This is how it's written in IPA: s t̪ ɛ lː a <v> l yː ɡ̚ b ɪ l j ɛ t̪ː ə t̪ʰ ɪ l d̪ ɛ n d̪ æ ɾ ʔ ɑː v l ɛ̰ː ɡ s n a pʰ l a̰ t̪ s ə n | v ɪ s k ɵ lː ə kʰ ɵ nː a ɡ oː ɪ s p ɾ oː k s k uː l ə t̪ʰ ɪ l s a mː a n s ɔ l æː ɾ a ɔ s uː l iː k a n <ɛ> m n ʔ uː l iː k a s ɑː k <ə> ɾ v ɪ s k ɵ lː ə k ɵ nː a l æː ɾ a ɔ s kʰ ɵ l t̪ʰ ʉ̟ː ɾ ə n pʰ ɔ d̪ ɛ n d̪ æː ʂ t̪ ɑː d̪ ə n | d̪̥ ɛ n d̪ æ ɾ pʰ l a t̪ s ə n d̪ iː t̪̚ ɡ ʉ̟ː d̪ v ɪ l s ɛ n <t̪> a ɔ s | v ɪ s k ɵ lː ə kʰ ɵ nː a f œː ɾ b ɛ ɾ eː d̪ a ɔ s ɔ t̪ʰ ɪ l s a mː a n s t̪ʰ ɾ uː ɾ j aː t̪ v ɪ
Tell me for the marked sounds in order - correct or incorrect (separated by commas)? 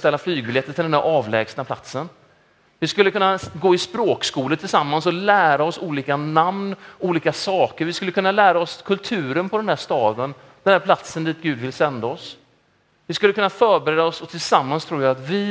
incorrect, incorrect, correct, incorrect